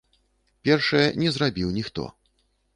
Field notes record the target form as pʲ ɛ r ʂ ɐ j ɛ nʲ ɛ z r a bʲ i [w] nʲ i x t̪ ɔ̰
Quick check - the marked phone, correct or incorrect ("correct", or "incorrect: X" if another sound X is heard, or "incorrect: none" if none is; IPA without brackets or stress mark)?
correct